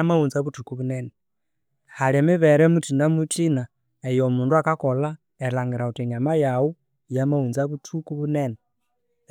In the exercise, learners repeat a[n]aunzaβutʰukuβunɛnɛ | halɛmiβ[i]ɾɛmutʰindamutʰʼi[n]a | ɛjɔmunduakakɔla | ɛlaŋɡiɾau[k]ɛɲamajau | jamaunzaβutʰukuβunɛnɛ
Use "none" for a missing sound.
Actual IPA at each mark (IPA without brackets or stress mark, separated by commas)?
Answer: m, ɛ, n, t